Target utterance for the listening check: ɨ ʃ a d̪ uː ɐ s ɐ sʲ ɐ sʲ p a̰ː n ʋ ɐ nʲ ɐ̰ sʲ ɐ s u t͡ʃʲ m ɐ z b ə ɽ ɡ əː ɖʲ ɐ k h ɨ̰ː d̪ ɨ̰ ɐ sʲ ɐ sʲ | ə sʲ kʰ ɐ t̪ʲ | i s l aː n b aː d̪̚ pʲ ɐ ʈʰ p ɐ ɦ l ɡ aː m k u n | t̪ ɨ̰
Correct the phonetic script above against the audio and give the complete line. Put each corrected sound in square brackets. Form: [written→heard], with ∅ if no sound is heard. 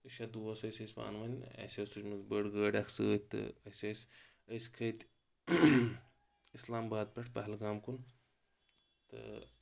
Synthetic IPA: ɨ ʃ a d̪ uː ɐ s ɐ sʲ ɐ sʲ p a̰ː n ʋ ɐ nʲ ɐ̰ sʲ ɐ s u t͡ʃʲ m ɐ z b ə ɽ ɡ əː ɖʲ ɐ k [h→s] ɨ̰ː [d̪→t̪] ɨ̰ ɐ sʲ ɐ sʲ | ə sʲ kʰ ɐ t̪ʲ | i s l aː [n→m] b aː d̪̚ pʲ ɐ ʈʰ p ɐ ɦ l ɡ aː m k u n | t̪ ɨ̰